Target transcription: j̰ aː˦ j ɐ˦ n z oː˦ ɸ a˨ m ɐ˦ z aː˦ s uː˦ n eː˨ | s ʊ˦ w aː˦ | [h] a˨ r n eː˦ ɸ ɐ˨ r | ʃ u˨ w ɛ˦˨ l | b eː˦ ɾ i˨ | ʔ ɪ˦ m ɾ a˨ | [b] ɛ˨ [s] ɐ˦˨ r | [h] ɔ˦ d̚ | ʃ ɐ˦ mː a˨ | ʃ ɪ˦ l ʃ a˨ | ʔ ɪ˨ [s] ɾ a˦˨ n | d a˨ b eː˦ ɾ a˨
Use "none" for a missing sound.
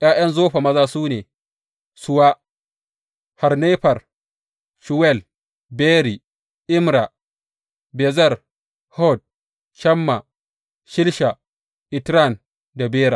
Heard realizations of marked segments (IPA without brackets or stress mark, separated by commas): h, b, z, h, t